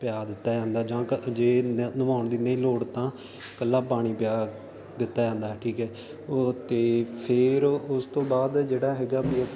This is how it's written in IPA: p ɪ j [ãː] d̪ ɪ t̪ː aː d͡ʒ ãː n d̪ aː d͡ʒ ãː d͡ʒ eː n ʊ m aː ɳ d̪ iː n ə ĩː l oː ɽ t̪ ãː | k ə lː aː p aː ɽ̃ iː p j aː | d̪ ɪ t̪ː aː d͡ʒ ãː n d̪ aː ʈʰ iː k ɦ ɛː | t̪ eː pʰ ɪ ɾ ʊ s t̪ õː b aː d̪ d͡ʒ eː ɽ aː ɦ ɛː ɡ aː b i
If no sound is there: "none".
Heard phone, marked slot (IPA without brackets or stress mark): aː